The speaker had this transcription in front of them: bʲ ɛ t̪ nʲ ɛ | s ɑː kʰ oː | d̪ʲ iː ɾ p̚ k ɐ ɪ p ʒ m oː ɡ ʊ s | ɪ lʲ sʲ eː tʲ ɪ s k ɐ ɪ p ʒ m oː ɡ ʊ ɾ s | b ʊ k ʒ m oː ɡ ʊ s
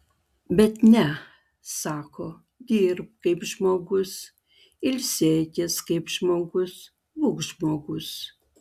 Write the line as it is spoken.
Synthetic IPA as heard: bʲ ɛ t̪ nʲ ɛ | s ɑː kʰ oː | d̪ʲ iː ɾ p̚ k ɐ ɪ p ʒ m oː ɡ ʊ s | ɪ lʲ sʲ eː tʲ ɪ s k ɐ ɪ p ʒ m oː ɡ ʊ s | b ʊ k ʒ m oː ɡ ʊ s